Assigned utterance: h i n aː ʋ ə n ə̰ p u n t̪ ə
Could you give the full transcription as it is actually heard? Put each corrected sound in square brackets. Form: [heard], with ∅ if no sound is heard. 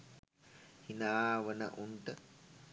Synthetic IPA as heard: h i n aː ʋ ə n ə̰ [ʔ] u n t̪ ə